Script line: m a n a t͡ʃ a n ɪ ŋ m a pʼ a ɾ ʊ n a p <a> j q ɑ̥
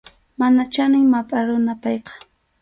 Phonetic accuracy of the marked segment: incorrect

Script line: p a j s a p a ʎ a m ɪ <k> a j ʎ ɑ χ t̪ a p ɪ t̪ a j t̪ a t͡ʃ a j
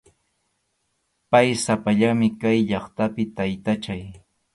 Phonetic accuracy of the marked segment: correct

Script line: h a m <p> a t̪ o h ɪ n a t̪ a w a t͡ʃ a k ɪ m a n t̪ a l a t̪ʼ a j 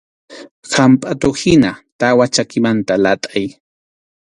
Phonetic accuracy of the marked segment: incorrect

